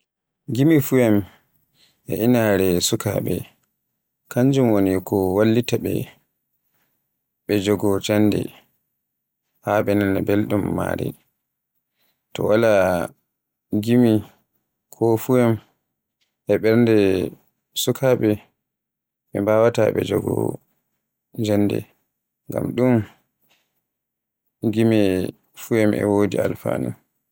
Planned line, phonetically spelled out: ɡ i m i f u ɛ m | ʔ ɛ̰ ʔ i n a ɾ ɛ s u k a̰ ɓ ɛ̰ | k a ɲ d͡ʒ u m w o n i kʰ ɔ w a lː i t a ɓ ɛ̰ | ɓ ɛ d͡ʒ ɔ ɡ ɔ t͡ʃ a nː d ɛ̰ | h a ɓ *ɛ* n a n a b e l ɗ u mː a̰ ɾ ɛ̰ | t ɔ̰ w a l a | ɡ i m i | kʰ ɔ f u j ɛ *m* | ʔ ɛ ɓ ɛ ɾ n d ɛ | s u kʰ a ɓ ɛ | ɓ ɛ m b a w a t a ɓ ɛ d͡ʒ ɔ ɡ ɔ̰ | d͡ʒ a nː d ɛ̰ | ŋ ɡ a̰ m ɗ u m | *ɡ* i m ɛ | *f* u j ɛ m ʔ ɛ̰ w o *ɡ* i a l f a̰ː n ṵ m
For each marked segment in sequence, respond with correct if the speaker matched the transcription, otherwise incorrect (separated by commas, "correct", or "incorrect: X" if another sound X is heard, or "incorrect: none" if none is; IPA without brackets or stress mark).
correct, correct, correct, correct, incorrect: d